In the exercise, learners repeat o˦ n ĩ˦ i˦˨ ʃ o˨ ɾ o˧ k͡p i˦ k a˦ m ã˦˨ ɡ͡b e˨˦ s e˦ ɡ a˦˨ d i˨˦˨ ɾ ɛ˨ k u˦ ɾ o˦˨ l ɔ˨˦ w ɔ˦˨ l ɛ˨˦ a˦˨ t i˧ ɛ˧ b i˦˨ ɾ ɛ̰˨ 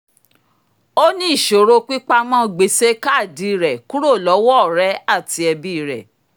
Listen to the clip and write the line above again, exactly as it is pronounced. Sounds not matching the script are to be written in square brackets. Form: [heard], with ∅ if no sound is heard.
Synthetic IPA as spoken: o˦ n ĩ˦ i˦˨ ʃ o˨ ɾ o˧ k͡p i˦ [k͡p] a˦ m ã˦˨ ɡ͡b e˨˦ s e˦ [k] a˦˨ d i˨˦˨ ɾ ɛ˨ k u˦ ɾ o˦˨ l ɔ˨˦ w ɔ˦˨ [ɾ] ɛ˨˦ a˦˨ t i˧ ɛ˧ b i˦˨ ɾ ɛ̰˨